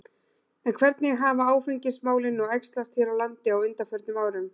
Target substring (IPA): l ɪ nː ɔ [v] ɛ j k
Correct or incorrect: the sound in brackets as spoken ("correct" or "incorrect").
incorrect